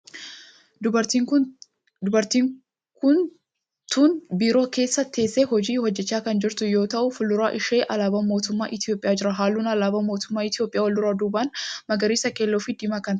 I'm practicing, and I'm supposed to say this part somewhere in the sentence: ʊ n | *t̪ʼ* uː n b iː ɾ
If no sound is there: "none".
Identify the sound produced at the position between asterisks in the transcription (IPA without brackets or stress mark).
t̪